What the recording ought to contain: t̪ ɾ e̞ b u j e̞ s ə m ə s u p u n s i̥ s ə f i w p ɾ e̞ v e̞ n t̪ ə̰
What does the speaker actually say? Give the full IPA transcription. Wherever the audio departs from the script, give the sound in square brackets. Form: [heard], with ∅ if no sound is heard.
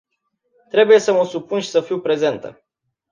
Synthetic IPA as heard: t̪ ɾ e̞ b u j e̞ s ə m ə s u p u n [ʃ] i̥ s ə f i w p ɾ e̞ [z] e̞ n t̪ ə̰